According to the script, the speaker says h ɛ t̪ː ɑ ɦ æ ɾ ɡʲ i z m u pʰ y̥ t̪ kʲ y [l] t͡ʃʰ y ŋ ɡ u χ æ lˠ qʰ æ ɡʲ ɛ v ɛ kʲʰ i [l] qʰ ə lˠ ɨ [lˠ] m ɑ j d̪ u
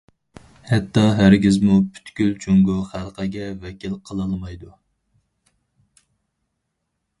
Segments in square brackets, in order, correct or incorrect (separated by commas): correct, correct, correct